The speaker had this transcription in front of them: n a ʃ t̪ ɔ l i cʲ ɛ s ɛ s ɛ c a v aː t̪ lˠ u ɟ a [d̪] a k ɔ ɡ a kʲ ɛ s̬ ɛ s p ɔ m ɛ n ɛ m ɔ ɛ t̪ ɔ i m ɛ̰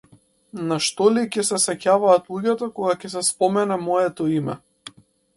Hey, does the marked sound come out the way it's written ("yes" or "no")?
no